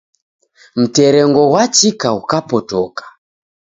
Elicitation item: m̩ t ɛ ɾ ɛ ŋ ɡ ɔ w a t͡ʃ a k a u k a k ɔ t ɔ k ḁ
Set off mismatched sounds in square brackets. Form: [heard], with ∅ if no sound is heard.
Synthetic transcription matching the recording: m̩ t ɛ ɾ ɛ ŋ ɡ ɔ w a t͡ʃ [i] k a u k a [p] ɔ t ɔ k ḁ

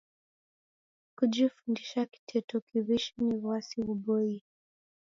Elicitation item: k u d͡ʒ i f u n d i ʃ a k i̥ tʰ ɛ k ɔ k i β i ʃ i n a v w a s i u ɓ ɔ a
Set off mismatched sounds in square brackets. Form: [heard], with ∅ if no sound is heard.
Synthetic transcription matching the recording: k u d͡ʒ i f u n d i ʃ a k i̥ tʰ ɛ [t] ɔ k i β i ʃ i n [i] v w a s i u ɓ ɔ [i]

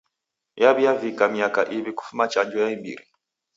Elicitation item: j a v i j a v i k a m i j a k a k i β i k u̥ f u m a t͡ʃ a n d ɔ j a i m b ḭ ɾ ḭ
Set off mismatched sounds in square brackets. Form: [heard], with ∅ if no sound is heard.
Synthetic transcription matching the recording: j a [β] i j a v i k a m i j a k a [ʔ] i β i k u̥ f u m a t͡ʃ a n [d͡ʒ] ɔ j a i m b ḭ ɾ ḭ

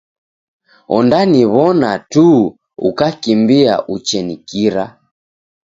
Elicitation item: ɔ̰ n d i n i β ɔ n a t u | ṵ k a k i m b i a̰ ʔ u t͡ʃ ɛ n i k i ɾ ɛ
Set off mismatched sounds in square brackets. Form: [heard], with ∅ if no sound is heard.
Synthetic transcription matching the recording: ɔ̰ n d [a] n i β ɔ n a t u | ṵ k a k i m b i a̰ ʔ u t͡ʃ ɛ n i k i ɾ [a]

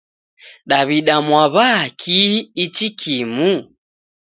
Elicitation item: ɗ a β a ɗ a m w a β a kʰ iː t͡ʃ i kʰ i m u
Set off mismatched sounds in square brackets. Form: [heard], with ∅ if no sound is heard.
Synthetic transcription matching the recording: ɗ a β [i] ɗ a m w a β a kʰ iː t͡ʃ i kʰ i m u

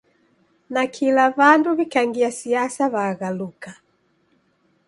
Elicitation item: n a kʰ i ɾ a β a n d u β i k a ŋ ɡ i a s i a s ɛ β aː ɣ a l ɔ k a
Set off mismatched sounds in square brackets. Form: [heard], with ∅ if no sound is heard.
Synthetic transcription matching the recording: n a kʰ i [l] a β a n d u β i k a ŋ ɡ i a s i a s [a] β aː ɣ a l [u] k a

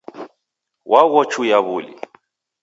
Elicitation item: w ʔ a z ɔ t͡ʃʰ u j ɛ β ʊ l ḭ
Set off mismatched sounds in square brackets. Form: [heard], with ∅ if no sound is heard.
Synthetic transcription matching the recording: w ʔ a [ɣ] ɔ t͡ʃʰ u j [a] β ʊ l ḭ

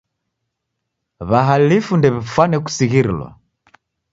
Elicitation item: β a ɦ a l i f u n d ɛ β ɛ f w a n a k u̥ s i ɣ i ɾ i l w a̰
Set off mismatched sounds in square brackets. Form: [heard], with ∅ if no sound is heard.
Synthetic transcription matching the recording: β a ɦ a l i f u n d ɛ β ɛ f w a n [ɛ] k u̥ s i ɣ i ɾ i l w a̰

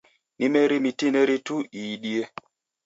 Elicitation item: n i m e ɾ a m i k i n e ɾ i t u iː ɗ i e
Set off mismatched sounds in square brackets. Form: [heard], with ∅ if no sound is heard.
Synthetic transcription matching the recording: n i m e ɾ [i] m i [t] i n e ɾ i t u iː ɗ i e

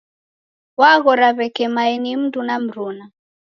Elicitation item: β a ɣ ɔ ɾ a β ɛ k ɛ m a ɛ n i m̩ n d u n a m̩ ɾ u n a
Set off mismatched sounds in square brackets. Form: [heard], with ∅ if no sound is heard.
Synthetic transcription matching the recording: [w] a ɣ ɔ ɾ a β ɛ k ɛ m a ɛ n i m̩ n d u n a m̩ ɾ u n a

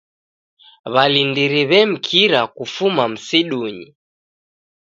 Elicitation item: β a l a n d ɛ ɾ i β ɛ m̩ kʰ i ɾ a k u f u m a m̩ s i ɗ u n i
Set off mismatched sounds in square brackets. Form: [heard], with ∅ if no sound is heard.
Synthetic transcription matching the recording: β a l [i] n d [i] ɾ i β ɛ m̩ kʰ i ɾ a k u f u m a m̩ s i ɗ u [ɲ] i

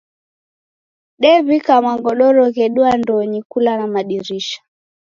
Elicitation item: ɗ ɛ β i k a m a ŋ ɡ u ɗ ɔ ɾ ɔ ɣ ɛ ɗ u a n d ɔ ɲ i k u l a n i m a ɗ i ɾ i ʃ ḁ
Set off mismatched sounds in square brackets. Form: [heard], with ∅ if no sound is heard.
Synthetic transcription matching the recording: ɗ ɛ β i k a m a ŋ ɡ [ɔ] ɗ ɔ ɾ ɔ ɣ ɛ ɗ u a n d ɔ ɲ i k u l a n [a] m a ɗ i ɾ i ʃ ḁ

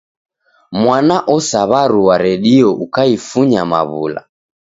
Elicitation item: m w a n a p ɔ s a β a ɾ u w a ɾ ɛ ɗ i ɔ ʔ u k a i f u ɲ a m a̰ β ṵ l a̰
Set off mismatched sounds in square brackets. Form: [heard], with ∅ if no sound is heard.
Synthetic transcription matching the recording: m w a n a [ʔ] ɔ s a β a ɾ u w a ɾ ɛ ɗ i ɔ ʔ u k a i f u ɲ a m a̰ β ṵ l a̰

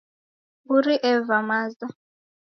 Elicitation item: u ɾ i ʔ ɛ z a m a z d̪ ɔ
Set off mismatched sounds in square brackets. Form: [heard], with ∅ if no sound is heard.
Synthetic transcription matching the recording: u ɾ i ʔ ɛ [v] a m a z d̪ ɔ

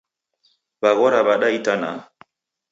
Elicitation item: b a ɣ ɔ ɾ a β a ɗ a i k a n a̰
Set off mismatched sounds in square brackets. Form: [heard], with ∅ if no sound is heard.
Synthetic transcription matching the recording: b a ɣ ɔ ɾ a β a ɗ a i [t] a n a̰

